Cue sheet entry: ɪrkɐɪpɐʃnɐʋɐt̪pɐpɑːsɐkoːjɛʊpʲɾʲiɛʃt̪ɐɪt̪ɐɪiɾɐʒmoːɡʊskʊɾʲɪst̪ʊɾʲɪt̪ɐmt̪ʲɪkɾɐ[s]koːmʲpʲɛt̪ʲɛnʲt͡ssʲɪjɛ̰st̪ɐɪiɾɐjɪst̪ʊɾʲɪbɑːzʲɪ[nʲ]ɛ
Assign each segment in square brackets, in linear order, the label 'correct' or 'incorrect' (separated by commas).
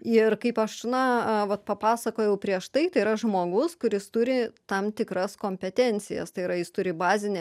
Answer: correct, correct